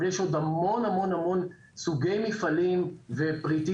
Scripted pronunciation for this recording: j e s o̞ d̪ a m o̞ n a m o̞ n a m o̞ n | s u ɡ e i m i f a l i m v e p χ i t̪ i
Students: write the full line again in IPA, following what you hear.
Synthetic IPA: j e ʃ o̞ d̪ a m o̞ n a m o̞ n a m o̞ n | s u ɡ e j m i f a l i m v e p ʁ i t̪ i